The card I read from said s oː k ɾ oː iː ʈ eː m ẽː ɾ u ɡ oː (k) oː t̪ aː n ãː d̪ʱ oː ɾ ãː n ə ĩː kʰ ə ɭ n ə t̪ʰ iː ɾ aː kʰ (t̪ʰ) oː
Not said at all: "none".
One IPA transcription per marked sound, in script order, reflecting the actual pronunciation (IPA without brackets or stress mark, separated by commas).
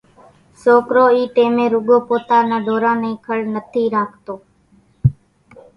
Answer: p, t̪